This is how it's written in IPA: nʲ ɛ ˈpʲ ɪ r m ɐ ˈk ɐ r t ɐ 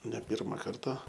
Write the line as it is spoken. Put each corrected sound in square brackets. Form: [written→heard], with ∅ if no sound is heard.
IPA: nʲ ɛ ˈpʲ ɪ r m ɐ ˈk ɐ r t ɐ